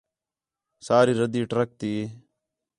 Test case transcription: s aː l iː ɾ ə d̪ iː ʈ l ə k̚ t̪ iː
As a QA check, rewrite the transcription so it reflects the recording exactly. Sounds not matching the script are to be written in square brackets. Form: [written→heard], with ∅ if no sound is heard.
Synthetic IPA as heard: s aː [l→ɾ] iː ɾ ə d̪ iː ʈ [l→ɾ] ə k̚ t̪ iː